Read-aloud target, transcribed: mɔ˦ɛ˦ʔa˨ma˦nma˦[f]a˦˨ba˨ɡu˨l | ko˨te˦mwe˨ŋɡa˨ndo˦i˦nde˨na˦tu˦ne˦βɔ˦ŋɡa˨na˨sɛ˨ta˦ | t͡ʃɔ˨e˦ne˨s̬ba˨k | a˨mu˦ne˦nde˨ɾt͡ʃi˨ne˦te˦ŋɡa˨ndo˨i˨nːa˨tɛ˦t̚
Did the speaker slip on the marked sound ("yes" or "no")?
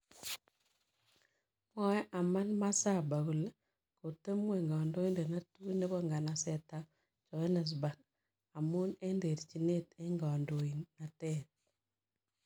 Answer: yes